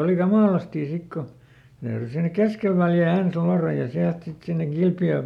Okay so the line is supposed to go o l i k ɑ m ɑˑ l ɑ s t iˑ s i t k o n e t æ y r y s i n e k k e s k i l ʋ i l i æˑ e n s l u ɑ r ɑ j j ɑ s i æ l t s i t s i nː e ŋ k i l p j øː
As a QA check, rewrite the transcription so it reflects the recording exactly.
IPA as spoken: o l i k ɑ m ɑˑ l ɑ s t iˑ s i k k o n e t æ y r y s i n e k k e s k e l ʋ æ l j æˑ e n s l u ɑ r ɑ j j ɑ s i æ l t s i t s i nː e ŋ k i l p j øː